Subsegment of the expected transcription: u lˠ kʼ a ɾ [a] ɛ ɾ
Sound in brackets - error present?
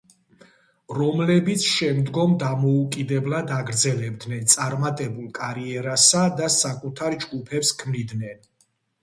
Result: yes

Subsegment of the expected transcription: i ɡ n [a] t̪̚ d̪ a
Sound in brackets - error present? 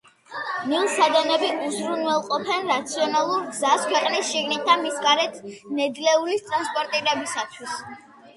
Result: yes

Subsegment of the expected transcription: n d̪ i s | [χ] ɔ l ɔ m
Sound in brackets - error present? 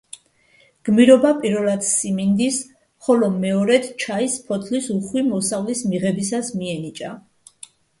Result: no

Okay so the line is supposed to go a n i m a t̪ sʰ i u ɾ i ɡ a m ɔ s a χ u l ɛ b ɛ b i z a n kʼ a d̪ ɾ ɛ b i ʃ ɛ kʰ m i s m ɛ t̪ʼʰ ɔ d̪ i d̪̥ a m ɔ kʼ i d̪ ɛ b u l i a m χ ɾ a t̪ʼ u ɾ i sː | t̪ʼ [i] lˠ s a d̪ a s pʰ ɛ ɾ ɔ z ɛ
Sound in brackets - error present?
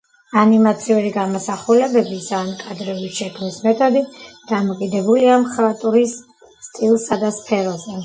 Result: no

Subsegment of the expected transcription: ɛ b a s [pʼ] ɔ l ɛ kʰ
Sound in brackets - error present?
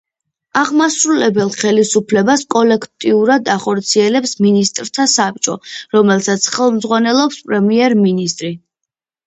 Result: yes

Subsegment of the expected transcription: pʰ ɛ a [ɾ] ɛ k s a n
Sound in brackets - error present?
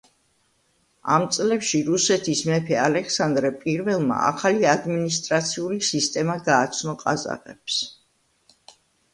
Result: yes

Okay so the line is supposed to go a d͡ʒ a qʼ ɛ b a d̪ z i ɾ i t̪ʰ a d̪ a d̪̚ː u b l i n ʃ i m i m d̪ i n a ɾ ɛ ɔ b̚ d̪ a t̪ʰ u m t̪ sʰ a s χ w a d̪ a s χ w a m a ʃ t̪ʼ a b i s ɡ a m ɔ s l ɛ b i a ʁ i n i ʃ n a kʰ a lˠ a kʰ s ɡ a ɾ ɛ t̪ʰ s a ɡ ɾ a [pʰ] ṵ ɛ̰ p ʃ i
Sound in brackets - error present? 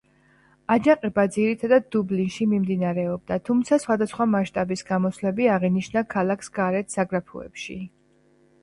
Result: no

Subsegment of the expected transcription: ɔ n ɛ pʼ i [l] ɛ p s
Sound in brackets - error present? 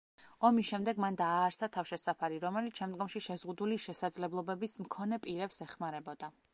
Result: yes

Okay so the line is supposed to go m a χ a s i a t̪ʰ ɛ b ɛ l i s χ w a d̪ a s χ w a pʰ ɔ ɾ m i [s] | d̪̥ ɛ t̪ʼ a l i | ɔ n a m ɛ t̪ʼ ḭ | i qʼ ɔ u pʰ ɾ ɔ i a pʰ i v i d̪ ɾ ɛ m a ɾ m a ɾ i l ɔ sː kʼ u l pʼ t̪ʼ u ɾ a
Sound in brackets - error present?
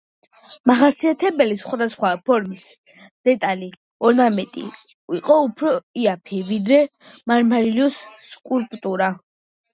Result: no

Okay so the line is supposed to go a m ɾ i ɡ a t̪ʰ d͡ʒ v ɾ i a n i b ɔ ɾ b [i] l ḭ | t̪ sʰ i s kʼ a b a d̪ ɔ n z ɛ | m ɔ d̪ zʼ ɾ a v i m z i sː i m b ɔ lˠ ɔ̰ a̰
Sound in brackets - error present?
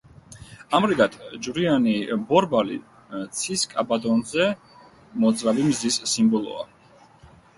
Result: yes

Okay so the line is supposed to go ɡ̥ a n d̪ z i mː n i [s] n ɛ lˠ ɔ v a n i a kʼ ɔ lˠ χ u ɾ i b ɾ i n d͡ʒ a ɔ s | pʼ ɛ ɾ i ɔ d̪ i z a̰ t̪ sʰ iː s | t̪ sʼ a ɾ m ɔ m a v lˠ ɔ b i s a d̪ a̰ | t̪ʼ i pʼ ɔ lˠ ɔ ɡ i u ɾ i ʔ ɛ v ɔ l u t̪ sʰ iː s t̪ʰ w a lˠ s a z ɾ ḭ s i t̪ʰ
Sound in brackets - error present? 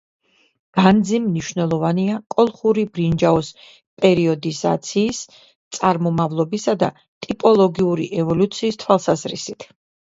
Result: yes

